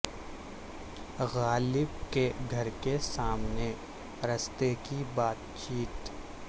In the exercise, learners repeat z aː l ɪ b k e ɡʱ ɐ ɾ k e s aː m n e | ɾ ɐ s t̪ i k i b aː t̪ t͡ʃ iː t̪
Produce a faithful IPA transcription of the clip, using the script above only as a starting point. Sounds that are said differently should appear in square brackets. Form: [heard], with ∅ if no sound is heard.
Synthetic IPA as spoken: [ɣ] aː l ɪ b k e ɡʱ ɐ ɾ k e s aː m n e | ɾ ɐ s t̪ [e] k i b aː t̪ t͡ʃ iː t̪